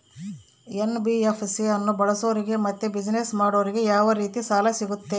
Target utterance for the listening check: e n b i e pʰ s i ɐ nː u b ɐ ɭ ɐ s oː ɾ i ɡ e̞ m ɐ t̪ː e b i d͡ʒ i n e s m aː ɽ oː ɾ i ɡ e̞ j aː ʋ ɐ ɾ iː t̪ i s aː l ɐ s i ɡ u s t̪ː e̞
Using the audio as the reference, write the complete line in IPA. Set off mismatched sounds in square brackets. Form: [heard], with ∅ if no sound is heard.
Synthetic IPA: e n b i e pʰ s i ɐ nː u b ɐ ɭ ɐ s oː ɾ i ɡ e̞ m ɐ t̪ː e b i d͡ʒ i n e s m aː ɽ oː ɾ i ɡ e̞ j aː ʋ ɐ ɾ iː t̪ i s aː l ɐ s i ɡ u [∅] t̪ː e̞